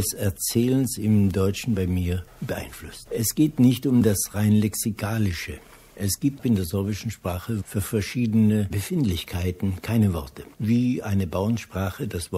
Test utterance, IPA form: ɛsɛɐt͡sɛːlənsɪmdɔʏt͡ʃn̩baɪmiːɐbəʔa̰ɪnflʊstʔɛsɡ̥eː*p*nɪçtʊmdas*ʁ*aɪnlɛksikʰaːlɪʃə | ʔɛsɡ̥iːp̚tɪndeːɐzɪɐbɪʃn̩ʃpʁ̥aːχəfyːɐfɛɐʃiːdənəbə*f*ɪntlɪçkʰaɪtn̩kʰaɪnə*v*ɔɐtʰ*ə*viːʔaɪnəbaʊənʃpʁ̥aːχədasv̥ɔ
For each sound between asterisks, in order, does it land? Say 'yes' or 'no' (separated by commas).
no, yes, yes, yes, yes